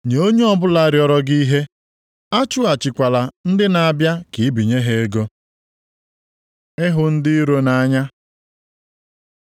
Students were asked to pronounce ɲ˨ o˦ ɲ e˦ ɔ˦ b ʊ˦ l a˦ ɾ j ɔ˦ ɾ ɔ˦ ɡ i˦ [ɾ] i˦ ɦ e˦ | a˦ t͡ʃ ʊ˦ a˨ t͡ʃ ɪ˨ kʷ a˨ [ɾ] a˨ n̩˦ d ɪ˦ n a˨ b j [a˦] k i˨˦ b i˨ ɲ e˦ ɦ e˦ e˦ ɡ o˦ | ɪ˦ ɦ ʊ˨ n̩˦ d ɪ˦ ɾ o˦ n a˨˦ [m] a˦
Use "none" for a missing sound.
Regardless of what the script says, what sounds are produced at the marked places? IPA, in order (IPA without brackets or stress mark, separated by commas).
none, l, a˦, ɲ